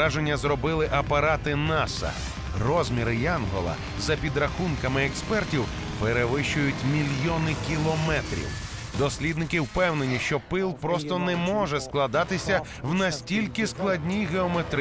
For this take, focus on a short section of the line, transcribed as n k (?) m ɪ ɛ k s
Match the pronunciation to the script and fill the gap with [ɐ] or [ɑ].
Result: ɐ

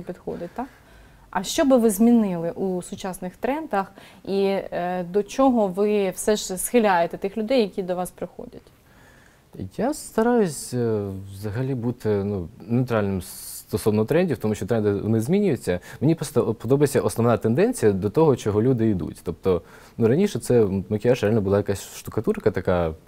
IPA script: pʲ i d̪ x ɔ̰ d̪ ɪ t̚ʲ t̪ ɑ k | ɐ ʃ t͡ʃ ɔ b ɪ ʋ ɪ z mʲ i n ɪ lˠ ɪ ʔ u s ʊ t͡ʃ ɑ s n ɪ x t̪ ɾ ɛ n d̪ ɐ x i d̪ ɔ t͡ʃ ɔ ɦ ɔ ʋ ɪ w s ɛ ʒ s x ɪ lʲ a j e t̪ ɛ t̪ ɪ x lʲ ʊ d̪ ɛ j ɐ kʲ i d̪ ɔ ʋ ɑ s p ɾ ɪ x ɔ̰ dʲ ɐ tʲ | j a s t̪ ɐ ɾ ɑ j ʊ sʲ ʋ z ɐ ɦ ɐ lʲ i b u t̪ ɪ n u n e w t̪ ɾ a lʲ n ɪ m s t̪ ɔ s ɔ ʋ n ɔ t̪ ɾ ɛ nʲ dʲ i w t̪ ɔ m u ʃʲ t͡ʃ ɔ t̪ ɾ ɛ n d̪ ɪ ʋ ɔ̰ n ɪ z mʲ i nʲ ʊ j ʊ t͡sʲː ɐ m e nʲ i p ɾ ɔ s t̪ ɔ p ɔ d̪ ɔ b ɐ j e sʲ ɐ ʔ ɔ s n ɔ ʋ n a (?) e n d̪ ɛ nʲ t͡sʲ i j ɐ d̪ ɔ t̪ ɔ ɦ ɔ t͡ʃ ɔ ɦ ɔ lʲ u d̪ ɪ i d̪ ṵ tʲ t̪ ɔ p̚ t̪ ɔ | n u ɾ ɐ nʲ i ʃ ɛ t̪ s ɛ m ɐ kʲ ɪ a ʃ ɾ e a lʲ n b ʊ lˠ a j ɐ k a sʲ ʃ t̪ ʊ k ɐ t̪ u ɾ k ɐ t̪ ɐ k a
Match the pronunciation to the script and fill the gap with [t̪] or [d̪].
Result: t̪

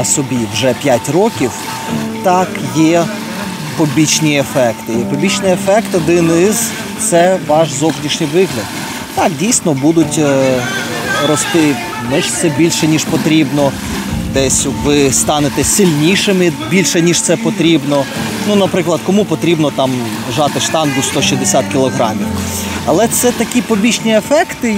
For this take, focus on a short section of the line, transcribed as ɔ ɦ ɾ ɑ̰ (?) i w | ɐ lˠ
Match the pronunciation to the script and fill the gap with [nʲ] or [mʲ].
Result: mʲ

